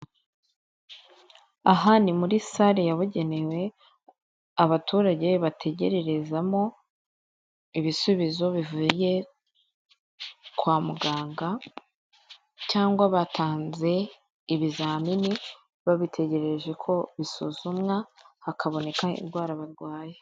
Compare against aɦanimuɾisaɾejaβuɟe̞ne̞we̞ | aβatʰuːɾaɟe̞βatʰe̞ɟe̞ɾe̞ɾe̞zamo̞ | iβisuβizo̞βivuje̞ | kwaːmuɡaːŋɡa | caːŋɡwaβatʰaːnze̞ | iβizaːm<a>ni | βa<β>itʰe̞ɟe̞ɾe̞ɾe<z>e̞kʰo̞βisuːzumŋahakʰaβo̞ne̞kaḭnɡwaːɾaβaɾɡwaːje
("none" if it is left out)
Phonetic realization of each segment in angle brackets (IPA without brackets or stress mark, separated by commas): i, β, ʒ